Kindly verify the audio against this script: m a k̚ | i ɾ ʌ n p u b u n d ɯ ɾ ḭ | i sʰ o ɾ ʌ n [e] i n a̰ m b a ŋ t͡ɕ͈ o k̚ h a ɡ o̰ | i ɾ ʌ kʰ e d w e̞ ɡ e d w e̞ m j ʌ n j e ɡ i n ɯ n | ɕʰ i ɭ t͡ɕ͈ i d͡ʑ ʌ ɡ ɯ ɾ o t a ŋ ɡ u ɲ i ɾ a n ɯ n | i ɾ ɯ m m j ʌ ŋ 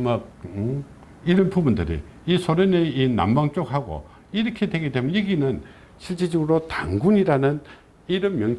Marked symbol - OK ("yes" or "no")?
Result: yes